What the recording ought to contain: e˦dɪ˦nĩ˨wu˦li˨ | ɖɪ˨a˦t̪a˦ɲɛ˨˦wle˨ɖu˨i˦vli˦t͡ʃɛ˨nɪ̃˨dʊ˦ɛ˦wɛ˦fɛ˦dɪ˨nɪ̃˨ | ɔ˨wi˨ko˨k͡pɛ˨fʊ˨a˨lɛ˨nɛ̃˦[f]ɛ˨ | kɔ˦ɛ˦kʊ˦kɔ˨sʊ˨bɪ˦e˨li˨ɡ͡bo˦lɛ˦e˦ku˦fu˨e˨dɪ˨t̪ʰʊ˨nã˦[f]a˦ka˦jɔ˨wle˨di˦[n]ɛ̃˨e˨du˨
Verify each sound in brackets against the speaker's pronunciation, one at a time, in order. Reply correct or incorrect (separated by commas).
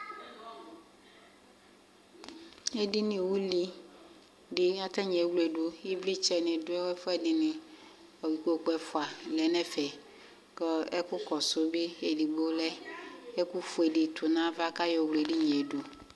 correct, incorrect, incorrect